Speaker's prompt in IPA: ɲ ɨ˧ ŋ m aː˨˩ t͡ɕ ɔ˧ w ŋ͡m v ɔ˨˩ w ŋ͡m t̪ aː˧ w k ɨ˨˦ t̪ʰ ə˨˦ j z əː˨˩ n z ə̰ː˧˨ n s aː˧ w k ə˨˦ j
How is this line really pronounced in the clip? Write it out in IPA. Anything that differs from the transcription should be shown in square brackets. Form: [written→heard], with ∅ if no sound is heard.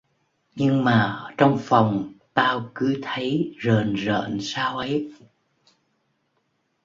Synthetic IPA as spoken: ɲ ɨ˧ ŋ m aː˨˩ t͡ɕ ɔ˧ w ŋ͡m [v→f] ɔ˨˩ w ŋ͡m t̪ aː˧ w k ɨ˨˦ t̪ʰ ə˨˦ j z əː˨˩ n z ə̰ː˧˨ n s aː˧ w [k→ʔ] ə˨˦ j